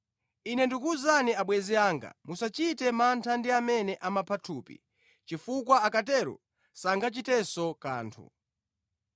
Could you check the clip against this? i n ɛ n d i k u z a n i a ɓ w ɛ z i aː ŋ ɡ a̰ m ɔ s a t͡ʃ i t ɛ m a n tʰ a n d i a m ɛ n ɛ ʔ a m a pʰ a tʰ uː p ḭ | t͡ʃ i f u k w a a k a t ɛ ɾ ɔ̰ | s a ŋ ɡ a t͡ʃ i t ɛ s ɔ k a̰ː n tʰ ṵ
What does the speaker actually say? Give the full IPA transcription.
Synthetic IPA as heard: i n ɛ n d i k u z a n i a ɓ w ɛ z i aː ŋ ɡ a̰ m u s a t͡ʃ i t ɛ m a n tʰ a n d i a m ɛ n ɛ ʔ a m a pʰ a tʰ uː p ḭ | t͡ʃ i f u k w a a k a t ɛ ɾ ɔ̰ | s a ŋ ɡ a t͡ʃ i t ɛ s ɔ k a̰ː n tʰ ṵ